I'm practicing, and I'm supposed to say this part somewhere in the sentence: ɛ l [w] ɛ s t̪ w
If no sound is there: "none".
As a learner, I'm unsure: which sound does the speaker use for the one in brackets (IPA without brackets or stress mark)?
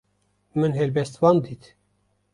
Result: b